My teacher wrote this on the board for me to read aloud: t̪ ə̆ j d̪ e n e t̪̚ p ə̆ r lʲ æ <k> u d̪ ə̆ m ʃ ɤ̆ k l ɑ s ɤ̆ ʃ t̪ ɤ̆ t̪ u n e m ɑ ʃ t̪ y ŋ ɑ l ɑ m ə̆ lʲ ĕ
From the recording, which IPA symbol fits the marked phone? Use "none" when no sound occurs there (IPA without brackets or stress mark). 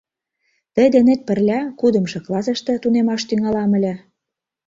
k